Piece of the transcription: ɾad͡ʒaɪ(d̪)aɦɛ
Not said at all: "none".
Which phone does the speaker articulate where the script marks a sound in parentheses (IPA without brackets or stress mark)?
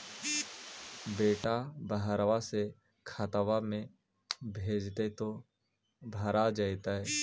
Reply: t̪